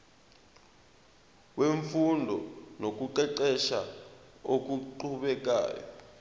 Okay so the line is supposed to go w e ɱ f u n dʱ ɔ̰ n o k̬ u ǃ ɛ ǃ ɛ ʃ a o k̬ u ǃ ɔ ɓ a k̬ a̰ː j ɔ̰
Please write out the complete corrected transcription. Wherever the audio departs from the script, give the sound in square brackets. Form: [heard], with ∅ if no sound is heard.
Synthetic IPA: w e ɱ f u n dʱ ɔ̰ n o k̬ u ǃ ɛ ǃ ɛ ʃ a o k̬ u ǃ [u] ɓ [ɛ] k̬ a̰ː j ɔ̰